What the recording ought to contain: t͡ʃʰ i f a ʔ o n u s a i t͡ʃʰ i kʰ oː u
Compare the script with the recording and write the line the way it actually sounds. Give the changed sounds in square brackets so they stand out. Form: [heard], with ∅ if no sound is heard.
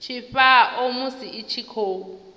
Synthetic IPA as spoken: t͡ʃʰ i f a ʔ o [m] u s [i] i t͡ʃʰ i kʰ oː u